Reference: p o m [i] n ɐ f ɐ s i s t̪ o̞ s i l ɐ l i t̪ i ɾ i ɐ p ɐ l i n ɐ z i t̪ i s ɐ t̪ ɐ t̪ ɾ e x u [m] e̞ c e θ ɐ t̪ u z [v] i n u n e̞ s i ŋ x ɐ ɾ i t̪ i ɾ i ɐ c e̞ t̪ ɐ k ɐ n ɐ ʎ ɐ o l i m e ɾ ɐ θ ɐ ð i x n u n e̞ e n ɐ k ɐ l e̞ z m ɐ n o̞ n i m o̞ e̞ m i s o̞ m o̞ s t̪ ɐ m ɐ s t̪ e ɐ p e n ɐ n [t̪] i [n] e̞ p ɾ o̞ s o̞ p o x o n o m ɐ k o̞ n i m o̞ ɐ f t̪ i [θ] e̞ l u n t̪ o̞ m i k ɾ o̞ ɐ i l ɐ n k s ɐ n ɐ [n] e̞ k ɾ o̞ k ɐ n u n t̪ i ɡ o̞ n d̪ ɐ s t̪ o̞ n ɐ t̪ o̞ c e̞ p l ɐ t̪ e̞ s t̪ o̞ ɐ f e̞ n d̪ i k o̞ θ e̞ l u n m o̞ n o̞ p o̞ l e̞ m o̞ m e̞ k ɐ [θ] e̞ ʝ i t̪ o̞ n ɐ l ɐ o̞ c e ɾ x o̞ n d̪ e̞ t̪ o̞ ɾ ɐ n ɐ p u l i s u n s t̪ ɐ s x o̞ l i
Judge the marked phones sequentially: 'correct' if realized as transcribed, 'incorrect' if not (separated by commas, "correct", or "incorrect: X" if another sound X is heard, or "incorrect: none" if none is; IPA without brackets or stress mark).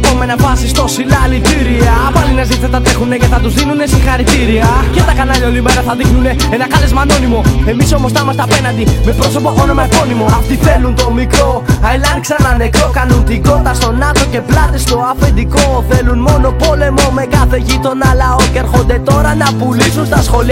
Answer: incorrect: e, incorrect: n, incorrect: ð, incorrect: d̪, incorrect: m, correct, correct, correct